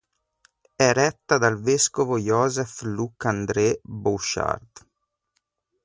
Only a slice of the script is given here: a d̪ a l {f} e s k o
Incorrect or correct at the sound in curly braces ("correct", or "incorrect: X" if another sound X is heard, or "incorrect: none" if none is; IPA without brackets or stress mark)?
incorrect: v